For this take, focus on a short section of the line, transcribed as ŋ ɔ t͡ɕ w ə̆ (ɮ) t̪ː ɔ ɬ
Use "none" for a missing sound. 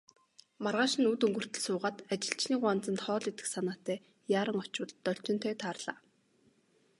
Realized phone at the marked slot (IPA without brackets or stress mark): ɮ